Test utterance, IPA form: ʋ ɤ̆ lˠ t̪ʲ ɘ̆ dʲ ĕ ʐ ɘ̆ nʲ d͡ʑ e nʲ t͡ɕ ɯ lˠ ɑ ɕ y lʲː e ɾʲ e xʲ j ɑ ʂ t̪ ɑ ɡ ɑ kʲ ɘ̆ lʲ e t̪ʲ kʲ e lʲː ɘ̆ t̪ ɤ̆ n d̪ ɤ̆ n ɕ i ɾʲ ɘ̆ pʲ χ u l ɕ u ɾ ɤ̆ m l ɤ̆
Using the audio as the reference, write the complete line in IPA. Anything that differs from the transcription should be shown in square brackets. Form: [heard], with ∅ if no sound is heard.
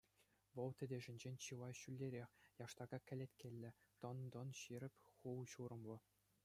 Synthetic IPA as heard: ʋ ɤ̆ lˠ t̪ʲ ɘ̆ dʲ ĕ ʐ ɘ̆ nʲ d͡ʑ e nʲ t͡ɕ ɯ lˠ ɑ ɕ y lʲː e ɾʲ e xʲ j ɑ ʂ t̪ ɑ ɡ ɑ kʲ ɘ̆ lʲ e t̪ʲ kʲ e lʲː ɘ̆ t̪ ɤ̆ n d̪ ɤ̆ n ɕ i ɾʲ ɘ̆ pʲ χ u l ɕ u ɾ ɤ̆ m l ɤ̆